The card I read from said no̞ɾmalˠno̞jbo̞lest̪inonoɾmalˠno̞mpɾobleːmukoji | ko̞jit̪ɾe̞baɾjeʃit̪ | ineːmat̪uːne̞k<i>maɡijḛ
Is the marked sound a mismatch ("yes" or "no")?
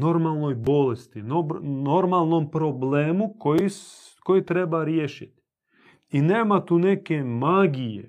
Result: yes